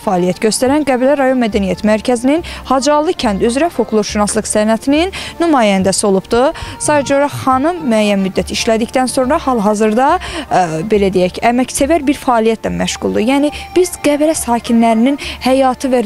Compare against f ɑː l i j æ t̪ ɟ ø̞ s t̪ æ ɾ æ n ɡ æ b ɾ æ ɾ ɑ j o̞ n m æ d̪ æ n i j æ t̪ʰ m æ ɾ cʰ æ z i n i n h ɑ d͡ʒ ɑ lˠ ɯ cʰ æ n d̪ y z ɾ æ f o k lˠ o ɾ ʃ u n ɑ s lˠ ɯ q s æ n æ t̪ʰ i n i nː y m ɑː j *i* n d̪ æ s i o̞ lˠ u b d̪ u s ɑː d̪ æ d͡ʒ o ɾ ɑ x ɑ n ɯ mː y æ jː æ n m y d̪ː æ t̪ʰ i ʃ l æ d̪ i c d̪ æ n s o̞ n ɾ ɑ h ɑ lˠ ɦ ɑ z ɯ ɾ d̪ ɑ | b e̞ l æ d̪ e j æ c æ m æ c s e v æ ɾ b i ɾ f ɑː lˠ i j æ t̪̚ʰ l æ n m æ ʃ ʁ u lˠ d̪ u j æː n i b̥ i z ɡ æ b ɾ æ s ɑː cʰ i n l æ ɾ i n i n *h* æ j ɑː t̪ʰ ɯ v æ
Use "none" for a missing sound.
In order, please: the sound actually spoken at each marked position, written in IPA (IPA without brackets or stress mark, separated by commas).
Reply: æ, h